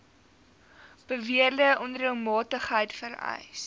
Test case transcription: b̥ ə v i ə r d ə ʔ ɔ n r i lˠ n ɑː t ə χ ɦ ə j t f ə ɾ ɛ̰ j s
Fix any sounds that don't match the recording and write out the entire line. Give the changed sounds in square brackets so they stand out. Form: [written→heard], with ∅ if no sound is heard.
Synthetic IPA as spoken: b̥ ə v i ə r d ə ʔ ɔ n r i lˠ [n→m] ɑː t ə χ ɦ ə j t f ə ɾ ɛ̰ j s